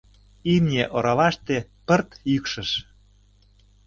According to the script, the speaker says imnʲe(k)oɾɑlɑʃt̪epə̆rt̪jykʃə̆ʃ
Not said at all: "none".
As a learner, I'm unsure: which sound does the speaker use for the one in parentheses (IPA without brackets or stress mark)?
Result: ʔ